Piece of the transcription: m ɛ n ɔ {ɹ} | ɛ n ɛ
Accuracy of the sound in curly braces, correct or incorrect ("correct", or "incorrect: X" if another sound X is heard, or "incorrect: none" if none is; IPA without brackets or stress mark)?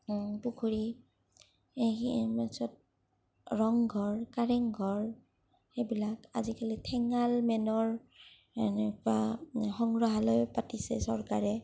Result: correct